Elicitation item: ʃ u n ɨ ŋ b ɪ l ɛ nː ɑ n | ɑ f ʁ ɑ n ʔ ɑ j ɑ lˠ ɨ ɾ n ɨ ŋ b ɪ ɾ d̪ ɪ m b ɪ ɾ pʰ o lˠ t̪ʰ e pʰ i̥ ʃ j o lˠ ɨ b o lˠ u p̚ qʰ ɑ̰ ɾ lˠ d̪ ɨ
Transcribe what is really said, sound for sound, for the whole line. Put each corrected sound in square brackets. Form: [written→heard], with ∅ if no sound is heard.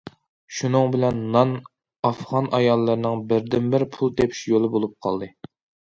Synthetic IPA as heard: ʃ u n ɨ ŋ b ɪ l ɛ nː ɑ n | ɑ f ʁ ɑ n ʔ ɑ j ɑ [lˠ→lˠː] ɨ ɾ n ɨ ŋ b ɪ ɾ d̪ ɪ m b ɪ ɾ pʰ [o→u] lˠ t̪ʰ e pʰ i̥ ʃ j o lˠ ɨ b o lˠ u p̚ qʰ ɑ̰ [ɾ→∅] lˠ d̪ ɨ